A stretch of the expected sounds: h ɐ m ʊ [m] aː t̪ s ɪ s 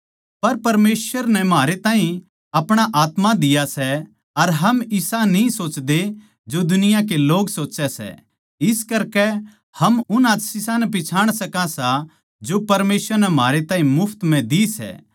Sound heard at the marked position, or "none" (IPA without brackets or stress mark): n